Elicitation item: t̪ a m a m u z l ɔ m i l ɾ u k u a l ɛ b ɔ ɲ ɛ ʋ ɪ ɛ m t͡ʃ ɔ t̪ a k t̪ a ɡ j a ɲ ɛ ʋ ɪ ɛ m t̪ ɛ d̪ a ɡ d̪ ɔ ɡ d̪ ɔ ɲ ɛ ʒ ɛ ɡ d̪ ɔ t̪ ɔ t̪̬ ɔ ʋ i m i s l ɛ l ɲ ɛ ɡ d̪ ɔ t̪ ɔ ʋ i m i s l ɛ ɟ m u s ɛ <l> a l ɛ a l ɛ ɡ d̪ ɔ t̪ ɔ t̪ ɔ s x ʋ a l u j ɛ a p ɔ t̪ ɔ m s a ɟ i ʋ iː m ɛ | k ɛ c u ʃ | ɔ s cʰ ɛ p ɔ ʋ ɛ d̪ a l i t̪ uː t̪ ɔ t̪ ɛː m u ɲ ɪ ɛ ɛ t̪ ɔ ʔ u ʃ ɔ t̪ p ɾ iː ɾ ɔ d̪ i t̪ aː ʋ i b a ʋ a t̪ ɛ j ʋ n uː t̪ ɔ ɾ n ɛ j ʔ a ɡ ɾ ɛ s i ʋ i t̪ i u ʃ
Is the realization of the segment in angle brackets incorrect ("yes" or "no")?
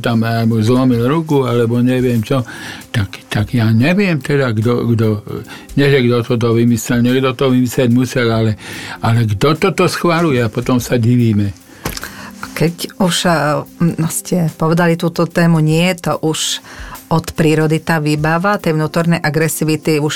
no